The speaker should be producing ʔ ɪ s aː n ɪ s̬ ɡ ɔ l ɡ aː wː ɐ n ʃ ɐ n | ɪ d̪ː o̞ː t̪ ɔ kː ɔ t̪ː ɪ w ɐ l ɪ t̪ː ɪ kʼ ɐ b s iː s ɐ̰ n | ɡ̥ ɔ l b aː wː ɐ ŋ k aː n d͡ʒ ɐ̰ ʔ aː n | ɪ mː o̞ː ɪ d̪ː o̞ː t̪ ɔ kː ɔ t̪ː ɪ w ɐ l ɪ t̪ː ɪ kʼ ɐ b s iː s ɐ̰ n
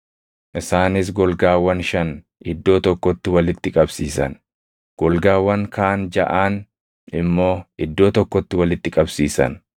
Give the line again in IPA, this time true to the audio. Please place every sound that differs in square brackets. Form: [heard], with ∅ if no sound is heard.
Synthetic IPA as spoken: ʔ ɪ s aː n ɪ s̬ ɡ ɔ l ɡ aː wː ɐ n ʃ ɐ n | ɪ d̪ː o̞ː t̪ ɔ kː ɔ t̪ː ɪ w ɐ l ɪ t̪ː ɪ kʼ ɐ b s iː s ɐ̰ n | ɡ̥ ɔ l [ɡ] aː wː ɐ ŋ k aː n d͡ʒ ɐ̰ ʔ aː n | ɪ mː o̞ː ɪ d̪ː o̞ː t̪ ɔ kː ɔ t̪ː ɪ w ɐ l ɪ t̪ː ɪ kʼ ɐ b s iː s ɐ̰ n